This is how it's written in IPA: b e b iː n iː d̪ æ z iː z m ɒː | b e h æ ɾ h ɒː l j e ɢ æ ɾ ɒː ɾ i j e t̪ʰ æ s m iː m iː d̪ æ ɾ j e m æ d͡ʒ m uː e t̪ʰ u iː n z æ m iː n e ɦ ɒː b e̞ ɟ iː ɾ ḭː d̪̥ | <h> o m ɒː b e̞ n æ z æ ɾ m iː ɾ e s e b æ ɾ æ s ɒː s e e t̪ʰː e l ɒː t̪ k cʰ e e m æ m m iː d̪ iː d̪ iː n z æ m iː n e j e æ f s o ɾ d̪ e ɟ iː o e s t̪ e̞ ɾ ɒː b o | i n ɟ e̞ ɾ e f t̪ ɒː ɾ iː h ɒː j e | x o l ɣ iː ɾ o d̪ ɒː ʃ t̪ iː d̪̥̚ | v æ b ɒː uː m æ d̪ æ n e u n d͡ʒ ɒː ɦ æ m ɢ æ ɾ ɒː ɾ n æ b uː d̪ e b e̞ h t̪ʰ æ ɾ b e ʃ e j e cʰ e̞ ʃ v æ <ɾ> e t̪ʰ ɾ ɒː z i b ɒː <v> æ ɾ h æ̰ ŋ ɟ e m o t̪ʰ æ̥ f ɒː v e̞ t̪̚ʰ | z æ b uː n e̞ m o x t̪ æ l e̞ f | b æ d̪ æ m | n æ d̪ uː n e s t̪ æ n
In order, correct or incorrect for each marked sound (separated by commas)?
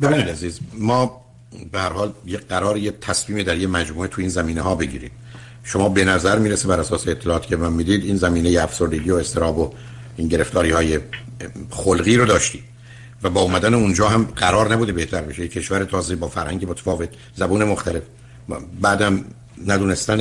incorrect, correct, incorrect